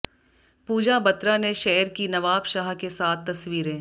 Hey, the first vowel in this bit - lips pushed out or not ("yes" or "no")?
yes